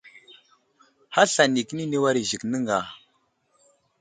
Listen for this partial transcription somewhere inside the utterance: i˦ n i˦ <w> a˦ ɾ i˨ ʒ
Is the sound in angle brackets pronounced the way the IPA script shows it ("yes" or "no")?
yes